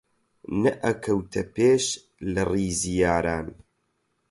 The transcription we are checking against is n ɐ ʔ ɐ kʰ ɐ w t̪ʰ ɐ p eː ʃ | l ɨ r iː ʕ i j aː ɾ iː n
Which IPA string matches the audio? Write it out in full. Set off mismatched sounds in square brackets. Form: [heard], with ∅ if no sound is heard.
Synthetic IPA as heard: n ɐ ʔ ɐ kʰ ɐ w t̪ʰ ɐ p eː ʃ | l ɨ r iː [z] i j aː ɾ [aː] n